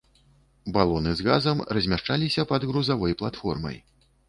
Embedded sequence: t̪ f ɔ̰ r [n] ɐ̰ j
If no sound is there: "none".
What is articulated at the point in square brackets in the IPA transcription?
m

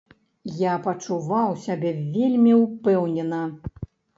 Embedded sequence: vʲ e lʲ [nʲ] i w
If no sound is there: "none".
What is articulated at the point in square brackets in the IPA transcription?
mʲ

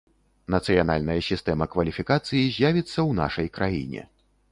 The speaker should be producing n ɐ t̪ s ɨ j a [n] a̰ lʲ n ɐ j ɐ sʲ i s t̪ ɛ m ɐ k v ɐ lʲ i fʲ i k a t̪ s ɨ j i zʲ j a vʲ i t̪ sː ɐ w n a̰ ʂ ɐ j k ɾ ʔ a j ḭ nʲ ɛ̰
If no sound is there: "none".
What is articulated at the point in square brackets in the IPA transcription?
n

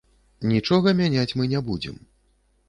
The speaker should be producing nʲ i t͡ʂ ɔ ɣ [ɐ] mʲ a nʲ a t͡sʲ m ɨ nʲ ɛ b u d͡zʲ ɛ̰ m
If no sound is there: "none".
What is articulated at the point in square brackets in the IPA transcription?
ɐ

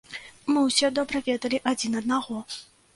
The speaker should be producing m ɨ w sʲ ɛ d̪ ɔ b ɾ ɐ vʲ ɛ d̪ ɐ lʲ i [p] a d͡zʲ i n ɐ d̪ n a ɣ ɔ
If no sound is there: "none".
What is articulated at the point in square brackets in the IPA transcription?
ʔ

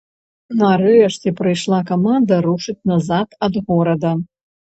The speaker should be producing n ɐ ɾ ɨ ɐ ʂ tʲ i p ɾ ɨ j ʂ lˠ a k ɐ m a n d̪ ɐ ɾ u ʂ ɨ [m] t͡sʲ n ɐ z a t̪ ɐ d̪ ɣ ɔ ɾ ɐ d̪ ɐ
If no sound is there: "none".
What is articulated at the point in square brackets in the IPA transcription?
none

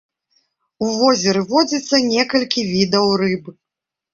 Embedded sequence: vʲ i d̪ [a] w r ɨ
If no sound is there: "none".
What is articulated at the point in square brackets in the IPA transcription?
ɐ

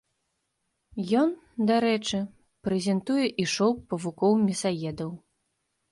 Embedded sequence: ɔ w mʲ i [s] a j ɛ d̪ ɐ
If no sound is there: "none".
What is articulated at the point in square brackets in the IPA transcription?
s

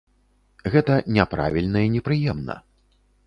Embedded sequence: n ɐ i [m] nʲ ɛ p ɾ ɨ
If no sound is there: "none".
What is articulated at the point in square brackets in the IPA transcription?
none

